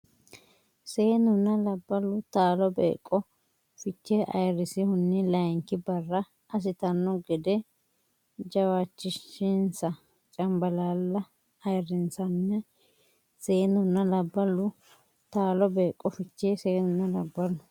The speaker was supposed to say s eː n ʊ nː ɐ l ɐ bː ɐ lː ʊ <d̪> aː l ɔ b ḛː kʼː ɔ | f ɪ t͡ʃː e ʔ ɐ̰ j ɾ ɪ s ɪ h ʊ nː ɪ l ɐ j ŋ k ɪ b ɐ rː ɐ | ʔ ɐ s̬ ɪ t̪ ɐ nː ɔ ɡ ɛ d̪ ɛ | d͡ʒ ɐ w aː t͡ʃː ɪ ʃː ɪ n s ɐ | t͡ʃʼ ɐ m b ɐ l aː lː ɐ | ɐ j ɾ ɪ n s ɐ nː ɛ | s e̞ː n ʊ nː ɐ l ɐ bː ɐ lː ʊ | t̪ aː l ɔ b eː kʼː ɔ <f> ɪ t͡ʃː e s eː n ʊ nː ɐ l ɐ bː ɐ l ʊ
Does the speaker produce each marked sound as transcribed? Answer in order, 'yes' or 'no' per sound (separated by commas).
no, yes